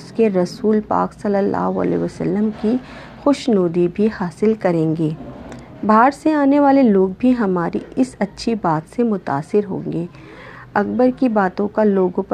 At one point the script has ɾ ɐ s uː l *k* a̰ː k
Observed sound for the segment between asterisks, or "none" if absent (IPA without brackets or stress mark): p